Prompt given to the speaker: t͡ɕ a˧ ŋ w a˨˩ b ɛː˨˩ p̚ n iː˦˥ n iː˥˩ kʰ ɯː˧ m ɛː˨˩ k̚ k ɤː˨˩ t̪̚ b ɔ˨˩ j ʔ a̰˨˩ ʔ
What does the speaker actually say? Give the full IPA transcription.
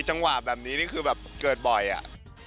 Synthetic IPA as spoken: t͡ɕ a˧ ŋ w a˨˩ b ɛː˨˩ p̚ n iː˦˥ n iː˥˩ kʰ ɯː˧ b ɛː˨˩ p̚ k ɤː˨˩ t̪̚ b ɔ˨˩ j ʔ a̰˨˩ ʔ

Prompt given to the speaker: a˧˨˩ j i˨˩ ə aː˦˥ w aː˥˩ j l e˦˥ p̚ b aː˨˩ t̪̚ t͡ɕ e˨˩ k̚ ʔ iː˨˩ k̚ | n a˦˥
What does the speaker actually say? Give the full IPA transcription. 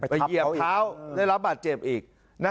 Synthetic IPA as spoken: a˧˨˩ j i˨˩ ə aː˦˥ w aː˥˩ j l a˦˥ p̚ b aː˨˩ t̪̚ t͡ɕ e˨˩ p̚ ʔ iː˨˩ k̚ | n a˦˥

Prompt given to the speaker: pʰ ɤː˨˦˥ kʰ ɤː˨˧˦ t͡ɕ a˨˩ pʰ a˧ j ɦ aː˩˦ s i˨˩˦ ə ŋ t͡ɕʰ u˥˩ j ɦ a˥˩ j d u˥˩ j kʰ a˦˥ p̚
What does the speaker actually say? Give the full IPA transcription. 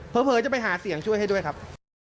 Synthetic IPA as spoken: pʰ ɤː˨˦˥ pʰ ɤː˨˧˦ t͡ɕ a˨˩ p a˧ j ɦ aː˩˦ s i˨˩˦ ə ŋ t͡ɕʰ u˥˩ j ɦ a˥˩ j d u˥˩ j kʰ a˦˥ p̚

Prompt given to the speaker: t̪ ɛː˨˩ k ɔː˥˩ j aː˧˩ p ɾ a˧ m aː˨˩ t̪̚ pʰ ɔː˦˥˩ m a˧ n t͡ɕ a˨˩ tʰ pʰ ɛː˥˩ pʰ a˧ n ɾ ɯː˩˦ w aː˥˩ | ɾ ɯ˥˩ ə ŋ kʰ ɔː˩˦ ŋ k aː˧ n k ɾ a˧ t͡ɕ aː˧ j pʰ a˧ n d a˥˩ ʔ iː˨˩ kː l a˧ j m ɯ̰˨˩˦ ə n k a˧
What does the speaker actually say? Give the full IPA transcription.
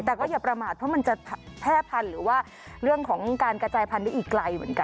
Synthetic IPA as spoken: t̪ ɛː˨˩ k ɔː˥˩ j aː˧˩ p ɾ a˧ m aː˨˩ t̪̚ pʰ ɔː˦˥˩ m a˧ n t͡ɕ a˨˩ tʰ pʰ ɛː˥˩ pʰ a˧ n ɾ ɯː˩˦ w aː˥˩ | ɾ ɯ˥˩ ə ŋ kʰ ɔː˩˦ ŋ k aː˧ n k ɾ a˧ t͡ɕ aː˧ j pʰ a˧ n d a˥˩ ʔ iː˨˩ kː l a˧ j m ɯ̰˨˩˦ ə n k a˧

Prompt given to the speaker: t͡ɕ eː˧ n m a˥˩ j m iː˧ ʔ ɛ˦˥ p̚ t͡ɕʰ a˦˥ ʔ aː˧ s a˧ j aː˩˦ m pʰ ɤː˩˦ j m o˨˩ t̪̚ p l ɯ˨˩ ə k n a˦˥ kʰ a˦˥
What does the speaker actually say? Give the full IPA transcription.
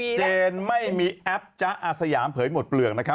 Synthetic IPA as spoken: t͡ɕ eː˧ n m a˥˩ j m iː˧ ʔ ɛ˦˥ p̚ t͡ɕ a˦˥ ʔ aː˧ s a˧ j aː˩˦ m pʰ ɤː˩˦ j m o˨˩ t̪̚ p l ɯ˨˩ ə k n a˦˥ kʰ a˦˥

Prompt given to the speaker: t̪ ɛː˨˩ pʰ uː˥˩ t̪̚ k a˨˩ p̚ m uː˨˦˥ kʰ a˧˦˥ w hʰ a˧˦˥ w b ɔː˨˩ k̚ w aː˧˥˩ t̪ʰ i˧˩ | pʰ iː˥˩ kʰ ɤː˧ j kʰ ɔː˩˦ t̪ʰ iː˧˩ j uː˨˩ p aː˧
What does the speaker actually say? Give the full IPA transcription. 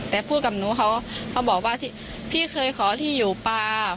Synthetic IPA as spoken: t̪ ɛː˨˩ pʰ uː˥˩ t̪̚ k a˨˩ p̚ n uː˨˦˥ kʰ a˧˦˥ w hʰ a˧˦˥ w b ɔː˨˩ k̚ w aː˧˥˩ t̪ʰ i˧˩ | pʰ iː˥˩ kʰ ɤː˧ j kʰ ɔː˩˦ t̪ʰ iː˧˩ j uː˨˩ p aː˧

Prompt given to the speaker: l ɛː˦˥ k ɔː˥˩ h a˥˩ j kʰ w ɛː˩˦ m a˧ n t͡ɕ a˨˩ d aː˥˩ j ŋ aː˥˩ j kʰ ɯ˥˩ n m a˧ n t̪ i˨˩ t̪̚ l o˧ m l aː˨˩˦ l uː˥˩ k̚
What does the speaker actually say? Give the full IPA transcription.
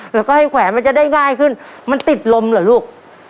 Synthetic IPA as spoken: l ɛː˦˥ k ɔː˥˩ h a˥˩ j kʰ w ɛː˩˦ m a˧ n t͡ɕ a˨˩ d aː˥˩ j ŋ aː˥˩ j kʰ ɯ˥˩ n m a˧ n t̪ i˨˩ t̪̚ l o˧ m l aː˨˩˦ l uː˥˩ k̚

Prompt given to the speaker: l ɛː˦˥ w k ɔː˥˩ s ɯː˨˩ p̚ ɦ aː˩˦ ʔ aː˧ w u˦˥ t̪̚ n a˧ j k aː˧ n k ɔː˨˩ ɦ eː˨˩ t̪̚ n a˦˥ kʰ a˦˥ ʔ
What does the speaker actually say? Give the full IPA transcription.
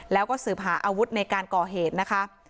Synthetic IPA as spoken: l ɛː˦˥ w k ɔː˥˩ s ɯː˨˩ p̚ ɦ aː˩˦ ʔ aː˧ w u˦˥ t̪̚ n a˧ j k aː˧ n k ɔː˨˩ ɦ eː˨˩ t̪̚ n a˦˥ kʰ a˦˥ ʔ

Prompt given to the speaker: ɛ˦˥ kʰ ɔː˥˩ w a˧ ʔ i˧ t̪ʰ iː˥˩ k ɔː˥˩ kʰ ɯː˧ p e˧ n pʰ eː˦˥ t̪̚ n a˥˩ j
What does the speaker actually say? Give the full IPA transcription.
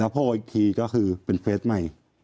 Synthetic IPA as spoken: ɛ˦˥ pʰ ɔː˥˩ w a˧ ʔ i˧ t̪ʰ iː˧ k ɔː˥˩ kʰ ɯː˧ p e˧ n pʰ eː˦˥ t̪̚ m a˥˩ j

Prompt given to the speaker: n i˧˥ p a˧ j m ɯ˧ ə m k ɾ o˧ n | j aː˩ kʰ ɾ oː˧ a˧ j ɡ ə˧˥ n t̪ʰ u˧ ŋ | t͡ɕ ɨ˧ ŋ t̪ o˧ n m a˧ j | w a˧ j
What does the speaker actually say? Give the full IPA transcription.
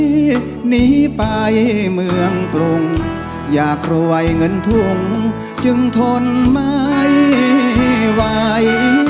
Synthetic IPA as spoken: n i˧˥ p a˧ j m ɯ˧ ə ŋ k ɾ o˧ ŋ | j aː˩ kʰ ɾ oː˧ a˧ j ŋ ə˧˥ n t̪ʰ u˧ ŋ | t͡ɕ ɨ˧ ŋ t̪ʰ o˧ n m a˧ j | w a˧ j

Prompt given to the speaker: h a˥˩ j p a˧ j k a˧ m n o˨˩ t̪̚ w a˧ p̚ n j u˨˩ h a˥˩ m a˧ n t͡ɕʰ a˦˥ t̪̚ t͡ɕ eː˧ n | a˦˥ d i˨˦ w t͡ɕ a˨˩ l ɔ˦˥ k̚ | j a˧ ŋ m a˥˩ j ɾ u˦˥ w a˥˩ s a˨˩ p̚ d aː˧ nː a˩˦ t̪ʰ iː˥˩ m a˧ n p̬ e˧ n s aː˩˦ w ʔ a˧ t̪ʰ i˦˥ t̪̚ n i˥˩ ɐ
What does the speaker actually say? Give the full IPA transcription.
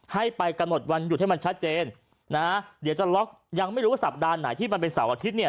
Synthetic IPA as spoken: h a˥˩ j p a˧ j k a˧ m n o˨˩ t̪̚ w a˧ n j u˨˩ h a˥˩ m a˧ n t͡ɕʰ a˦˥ t̪̚ t͡ɕ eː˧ nː | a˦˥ d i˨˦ w t͡ɕ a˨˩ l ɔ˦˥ k̚ | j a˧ ŋ m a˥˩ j ɾ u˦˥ w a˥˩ s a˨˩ p̚ d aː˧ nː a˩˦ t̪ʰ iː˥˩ m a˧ n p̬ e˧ n s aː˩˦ w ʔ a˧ t̪ʰ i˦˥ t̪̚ n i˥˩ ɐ

